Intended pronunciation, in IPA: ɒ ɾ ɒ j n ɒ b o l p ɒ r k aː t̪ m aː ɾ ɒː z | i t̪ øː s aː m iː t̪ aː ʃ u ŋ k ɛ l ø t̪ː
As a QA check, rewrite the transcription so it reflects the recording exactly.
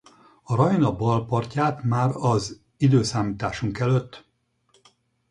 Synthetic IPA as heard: ɒ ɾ ɒ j n ɒ b ɒ l p ɒ r c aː t̪ m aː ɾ ɒ z | i d̪ øː s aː m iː t̪ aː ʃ u ŋ k ɛ l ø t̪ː